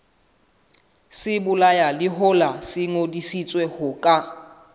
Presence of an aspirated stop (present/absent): absent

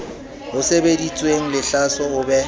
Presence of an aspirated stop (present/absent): absent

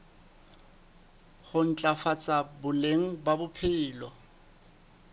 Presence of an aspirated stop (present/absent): present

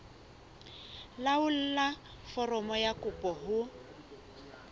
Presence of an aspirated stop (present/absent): absent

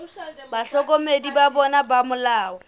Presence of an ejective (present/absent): absent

